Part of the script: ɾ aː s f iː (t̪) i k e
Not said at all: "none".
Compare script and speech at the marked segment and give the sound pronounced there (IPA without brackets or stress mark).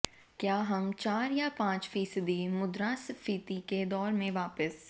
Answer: t̪